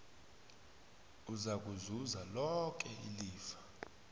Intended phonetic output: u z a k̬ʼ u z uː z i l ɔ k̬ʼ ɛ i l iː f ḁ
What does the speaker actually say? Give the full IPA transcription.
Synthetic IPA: u z a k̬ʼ u z u z a l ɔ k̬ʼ ɛ i l iː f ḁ